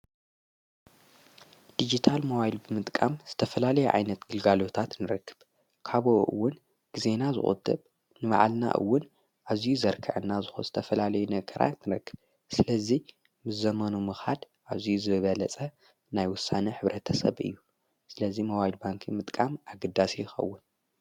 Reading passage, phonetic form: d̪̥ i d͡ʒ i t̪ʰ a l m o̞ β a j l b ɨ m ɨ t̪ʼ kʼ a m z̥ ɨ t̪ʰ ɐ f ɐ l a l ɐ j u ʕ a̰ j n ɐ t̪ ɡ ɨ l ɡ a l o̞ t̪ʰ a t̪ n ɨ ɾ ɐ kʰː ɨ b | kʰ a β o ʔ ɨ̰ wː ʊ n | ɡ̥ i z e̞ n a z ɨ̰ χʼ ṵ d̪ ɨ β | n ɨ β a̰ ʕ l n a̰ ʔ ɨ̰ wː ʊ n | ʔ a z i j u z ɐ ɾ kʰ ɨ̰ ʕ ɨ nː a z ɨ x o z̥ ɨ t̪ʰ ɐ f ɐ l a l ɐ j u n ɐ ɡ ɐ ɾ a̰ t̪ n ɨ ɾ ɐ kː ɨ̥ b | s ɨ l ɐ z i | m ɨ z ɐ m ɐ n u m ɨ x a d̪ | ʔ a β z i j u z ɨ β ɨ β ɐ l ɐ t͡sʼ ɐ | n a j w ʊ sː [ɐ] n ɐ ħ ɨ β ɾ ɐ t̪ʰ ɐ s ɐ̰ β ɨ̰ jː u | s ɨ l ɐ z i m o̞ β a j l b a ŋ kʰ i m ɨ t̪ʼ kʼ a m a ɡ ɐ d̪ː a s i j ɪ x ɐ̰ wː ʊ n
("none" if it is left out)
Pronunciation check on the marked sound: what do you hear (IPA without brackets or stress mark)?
a